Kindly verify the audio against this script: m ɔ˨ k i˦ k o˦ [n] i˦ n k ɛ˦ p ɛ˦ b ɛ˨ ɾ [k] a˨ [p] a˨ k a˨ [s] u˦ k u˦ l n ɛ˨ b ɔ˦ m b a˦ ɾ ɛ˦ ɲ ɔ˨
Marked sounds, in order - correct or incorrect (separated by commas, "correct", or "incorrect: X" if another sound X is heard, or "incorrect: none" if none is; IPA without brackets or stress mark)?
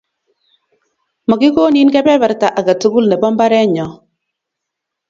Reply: correct, incorrect: t, incorrect: ʔ, incorrect: t